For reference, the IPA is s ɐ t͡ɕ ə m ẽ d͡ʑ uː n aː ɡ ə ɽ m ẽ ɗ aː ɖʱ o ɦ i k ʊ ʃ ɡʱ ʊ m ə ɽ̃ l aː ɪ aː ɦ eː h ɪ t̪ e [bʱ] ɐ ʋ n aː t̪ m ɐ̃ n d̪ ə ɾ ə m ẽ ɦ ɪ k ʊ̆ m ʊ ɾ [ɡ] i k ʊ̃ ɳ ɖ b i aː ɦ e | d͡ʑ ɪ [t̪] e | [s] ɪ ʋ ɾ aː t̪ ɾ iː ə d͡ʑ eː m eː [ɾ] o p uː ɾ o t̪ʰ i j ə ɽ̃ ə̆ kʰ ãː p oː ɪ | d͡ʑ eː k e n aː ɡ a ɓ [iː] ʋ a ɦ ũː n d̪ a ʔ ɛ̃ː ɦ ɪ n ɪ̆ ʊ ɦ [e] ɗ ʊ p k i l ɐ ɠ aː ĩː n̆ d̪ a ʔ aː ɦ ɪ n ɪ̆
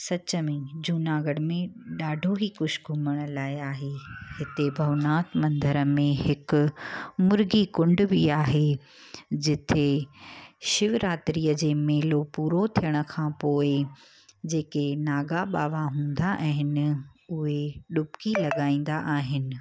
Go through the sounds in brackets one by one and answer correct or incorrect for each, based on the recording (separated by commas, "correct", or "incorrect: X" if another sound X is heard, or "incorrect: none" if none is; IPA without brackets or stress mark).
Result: correct, correct, incorrect: t̪ʰ, incorrect: ʃ, incorrect: l, incorrect: aː, correct